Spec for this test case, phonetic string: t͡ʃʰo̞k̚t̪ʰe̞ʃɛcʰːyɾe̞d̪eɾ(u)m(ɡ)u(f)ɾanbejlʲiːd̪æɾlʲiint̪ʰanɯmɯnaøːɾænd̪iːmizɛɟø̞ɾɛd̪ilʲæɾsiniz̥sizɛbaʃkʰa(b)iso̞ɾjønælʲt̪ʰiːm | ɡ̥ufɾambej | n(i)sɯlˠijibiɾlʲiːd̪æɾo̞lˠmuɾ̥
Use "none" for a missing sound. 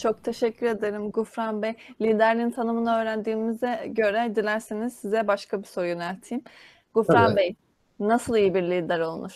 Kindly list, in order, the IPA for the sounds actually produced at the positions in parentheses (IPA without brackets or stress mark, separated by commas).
ɯ, ɡ, f, b, a